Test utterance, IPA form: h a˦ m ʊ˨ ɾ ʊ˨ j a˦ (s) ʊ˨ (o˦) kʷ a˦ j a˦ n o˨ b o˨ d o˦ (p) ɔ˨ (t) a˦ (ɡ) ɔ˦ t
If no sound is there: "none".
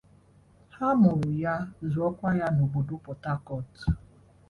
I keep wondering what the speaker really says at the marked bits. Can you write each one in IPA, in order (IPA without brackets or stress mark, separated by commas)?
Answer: z, ɔ˦, p, t, k